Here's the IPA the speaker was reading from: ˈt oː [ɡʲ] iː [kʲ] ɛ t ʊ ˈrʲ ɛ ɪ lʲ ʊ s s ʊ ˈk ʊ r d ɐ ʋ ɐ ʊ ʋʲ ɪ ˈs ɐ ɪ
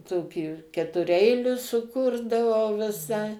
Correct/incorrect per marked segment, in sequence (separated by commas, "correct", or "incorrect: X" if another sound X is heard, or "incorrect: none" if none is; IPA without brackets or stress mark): incorrect: kʲ, correct